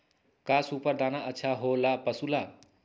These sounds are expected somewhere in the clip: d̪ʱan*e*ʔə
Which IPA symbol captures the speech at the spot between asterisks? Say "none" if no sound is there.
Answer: a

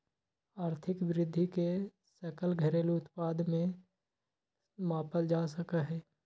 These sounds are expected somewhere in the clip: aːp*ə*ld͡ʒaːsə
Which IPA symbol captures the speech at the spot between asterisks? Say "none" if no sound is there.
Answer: ə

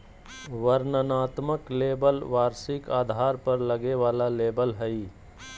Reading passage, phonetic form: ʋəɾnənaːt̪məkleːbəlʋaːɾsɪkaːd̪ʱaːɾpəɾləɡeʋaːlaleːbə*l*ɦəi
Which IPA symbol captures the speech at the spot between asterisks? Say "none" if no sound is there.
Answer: l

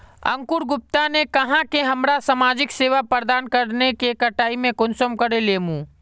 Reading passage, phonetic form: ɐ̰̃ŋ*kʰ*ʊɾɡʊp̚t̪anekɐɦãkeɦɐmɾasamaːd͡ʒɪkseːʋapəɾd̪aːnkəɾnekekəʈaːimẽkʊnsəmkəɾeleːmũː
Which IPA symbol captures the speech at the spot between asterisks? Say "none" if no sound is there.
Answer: k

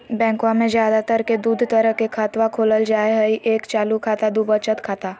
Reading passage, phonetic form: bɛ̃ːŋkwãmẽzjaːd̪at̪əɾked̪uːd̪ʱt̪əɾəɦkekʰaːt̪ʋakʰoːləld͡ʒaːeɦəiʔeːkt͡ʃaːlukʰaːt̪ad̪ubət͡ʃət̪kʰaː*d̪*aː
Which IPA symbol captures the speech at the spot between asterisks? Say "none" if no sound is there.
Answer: t̪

